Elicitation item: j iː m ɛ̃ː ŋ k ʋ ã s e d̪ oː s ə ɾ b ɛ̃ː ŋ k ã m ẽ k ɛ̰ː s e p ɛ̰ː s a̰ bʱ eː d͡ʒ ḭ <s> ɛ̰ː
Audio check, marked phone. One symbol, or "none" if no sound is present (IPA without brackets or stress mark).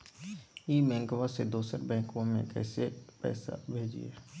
none